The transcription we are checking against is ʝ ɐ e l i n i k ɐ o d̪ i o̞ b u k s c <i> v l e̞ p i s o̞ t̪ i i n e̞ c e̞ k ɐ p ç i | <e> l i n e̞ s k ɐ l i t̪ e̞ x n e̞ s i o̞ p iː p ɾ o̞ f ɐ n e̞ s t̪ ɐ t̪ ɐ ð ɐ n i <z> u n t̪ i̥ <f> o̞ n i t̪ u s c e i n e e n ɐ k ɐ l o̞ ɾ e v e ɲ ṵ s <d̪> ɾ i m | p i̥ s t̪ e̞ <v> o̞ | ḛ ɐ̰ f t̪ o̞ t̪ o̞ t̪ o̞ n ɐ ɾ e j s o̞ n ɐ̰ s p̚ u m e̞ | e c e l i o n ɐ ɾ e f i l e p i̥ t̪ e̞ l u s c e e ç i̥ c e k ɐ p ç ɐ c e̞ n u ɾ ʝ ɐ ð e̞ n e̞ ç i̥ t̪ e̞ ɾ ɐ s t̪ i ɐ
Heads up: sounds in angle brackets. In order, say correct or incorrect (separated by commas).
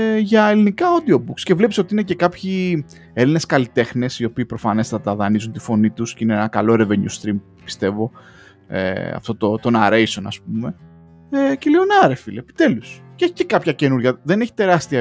incorrect, correct, correct, correct, incorrect, correct